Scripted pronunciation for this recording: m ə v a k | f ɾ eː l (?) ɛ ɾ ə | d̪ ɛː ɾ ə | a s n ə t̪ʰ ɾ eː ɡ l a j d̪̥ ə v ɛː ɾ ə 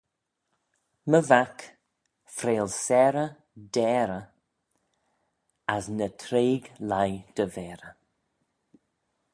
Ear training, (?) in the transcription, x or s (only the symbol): s